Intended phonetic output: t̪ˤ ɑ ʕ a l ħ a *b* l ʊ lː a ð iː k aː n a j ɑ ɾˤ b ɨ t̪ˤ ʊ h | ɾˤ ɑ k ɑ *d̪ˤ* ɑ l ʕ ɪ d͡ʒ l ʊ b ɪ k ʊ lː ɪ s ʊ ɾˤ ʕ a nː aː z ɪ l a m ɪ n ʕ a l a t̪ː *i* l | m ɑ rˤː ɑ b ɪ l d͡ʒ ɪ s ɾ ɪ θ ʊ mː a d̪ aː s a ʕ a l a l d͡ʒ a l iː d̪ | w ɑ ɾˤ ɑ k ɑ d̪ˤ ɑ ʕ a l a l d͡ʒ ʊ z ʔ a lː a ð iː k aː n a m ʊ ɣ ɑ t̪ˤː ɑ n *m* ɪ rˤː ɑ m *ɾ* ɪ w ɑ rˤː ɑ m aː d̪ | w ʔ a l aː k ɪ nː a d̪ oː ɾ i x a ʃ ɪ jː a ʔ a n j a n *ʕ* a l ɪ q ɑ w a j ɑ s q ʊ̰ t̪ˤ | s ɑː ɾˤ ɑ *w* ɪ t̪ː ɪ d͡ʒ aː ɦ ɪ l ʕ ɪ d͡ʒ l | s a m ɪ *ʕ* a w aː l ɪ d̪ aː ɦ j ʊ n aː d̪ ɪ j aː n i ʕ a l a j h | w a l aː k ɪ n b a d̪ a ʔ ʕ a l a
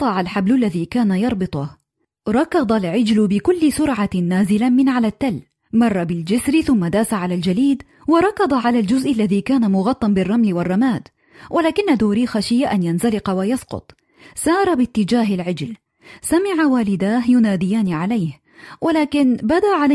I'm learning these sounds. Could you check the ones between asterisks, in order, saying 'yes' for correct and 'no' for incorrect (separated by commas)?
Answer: yes, yes, no, no, no, no, no, yes